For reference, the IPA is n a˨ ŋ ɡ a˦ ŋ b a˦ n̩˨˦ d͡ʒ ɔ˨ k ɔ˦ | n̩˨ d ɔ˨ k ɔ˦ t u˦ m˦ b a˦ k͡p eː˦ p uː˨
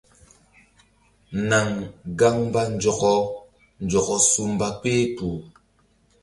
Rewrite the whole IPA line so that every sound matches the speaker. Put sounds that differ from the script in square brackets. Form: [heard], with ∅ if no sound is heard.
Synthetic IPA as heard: n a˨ ŋ ɡ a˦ ŋ b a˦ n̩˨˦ d͡ʒ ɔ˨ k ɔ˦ | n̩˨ [d͡ʒ] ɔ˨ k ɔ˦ [s] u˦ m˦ b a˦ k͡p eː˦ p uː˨